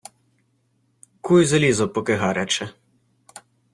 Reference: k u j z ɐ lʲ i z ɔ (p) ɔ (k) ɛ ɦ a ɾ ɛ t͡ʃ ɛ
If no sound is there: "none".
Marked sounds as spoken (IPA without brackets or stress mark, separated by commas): p, k